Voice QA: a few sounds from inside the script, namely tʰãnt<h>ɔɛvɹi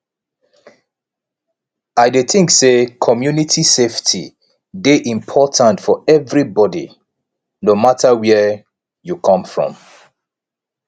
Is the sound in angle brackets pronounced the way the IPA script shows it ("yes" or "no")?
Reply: no